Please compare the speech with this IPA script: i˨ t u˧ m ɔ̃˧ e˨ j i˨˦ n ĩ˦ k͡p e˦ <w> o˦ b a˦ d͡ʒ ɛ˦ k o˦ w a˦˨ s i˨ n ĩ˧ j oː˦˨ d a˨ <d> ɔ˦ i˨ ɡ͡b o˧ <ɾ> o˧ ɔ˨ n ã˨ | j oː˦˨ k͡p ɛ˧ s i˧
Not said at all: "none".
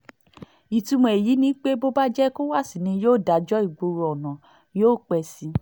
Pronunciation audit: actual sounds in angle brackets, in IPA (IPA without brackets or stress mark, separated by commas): b, d͡ʒ, ɾ